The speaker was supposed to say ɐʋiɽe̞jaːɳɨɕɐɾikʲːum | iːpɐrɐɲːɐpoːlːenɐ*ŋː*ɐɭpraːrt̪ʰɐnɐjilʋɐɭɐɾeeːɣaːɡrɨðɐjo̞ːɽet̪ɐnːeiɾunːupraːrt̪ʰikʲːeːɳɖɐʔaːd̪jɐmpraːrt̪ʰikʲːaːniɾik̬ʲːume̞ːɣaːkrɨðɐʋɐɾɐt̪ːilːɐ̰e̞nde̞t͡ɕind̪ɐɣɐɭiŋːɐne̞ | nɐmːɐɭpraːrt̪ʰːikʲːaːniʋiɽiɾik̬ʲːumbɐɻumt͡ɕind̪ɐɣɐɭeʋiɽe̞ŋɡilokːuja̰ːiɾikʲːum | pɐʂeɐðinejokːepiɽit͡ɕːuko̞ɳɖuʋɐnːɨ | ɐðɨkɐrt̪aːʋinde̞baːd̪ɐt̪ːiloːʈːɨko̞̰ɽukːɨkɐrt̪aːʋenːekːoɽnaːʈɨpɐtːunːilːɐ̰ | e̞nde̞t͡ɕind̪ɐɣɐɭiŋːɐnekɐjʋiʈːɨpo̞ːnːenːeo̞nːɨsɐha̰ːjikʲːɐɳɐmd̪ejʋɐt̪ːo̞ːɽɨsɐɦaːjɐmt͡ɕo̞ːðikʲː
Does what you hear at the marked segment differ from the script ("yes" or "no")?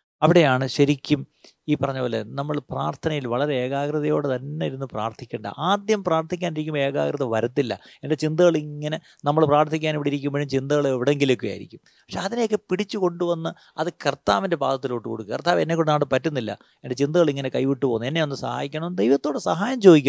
yes